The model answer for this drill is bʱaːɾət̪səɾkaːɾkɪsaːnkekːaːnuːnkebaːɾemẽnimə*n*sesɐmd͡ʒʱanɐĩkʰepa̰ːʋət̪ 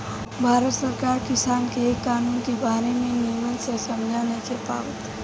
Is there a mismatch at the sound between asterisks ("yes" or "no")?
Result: no